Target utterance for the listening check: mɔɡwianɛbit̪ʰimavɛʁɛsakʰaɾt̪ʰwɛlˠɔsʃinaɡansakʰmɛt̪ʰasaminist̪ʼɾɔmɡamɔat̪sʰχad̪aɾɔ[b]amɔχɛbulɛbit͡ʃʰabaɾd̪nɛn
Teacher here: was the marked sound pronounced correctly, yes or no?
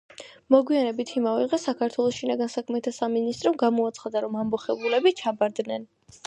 no